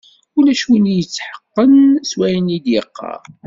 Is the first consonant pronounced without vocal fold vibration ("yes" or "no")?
no